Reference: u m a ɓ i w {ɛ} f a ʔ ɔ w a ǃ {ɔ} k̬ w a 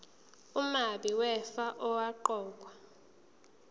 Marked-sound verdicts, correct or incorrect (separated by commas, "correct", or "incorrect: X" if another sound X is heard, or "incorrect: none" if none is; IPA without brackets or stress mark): correct, incorrect: ɔː